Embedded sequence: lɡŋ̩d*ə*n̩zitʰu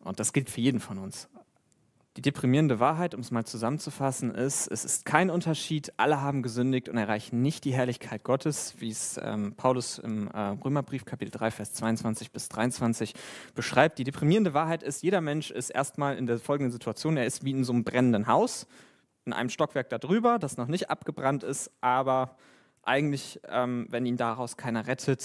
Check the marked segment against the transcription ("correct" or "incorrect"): correct